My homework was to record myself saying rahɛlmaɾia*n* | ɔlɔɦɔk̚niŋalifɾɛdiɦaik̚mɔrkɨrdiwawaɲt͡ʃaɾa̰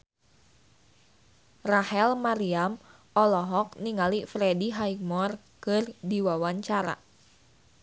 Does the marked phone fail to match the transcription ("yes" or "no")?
yes